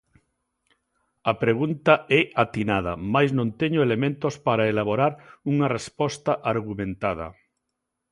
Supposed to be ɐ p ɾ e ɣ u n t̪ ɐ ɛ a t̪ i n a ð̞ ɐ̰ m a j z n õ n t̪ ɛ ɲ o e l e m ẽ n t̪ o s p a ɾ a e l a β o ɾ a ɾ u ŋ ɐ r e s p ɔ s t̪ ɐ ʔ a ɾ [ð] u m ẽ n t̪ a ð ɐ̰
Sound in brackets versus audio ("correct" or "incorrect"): incorrect